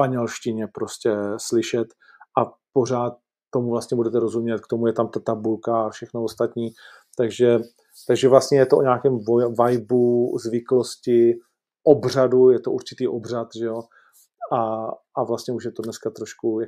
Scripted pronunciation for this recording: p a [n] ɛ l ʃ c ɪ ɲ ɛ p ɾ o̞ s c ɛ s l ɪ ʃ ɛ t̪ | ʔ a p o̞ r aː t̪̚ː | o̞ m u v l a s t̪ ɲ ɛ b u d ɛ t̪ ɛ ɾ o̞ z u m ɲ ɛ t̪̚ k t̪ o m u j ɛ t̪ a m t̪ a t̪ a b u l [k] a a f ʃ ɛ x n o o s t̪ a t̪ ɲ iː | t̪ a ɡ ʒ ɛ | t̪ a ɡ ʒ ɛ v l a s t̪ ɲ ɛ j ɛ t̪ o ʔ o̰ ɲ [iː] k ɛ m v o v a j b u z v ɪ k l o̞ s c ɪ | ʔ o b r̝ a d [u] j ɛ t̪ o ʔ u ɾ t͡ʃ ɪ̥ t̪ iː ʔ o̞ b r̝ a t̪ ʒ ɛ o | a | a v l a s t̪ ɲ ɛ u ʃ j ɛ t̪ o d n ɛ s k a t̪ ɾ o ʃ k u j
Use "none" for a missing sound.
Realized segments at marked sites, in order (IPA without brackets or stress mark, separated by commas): ɲ, k, aː, u